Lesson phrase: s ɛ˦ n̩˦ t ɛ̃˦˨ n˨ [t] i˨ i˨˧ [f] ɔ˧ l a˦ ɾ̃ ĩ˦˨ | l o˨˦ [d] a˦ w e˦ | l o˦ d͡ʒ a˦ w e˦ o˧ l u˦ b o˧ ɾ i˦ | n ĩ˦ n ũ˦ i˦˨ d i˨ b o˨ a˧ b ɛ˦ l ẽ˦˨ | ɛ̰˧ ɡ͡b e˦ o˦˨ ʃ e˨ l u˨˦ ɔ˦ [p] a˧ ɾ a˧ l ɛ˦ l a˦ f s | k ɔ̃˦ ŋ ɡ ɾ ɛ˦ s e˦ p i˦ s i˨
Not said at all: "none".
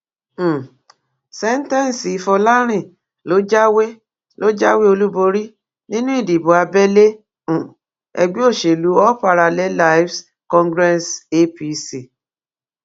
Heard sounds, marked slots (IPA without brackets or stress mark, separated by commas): s, f, d͡ʒ, p